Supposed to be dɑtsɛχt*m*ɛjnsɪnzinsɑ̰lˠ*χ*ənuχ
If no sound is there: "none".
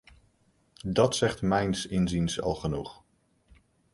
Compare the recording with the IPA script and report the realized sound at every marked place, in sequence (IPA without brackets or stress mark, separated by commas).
m, χ